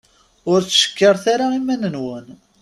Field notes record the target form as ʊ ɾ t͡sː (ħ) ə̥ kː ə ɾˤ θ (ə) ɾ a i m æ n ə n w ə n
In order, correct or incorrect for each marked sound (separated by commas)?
incorrect, incorrect